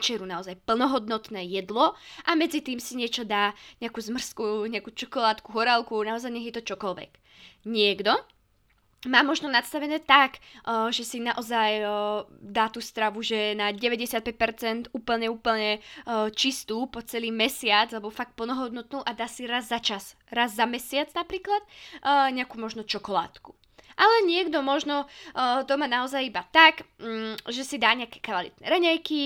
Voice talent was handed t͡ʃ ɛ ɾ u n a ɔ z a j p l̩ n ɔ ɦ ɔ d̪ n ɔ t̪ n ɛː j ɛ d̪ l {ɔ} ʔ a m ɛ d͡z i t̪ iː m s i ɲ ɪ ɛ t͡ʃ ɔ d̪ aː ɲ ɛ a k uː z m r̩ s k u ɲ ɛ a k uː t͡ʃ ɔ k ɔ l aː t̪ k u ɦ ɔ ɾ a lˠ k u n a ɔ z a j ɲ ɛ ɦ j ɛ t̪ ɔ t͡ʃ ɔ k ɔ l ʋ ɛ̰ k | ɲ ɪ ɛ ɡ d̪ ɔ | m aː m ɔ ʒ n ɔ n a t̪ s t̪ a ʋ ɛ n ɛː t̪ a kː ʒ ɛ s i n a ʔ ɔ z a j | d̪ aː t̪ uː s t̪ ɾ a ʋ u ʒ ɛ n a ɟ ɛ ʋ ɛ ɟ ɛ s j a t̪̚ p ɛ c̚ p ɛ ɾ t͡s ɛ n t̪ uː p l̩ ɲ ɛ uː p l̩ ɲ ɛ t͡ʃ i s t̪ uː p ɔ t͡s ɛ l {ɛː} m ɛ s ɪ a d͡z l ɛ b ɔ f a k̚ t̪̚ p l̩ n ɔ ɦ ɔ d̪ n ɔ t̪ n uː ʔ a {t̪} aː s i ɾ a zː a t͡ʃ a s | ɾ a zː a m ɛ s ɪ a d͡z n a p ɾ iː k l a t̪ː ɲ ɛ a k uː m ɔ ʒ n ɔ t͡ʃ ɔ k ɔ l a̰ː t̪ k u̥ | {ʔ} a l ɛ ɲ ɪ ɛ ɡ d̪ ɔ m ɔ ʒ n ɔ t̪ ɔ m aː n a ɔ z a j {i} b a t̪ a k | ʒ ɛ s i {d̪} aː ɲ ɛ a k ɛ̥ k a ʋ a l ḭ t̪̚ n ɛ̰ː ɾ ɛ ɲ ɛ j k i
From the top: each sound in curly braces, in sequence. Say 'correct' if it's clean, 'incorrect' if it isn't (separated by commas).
correct, incorrect, incorrect, correct, correct, correct